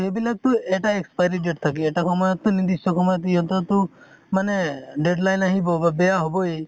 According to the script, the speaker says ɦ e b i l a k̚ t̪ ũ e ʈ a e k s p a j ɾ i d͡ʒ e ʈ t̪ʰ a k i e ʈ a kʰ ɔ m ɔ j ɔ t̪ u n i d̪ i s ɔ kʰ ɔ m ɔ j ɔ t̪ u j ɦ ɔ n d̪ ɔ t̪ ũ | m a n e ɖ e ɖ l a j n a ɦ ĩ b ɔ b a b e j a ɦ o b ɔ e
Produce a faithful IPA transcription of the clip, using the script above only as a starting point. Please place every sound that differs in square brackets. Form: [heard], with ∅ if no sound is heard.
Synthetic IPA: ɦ e b i l a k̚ t̪ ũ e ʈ a e k s p a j ɾ i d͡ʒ e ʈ t̪ʰ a k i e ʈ a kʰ ɔ m ɔ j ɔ t̪ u n i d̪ i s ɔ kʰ ɔ m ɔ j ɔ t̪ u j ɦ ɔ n [t̪] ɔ t̪ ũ | m a n e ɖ e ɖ l a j n a ɦ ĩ b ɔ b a b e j a ɦ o b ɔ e